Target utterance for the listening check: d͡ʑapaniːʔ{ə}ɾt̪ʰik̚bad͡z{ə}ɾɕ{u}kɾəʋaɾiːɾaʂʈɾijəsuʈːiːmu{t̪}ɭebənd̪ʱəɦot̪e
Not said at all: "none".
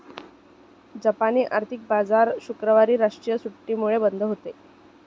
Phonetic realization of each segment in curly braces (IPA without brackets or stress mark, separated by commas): a, a, u, none